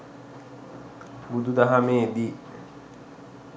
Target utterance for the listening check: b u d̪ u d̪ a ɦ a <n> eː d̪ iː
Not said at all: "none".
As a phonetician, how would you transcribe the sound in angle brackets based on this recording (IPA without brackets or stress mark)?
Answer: m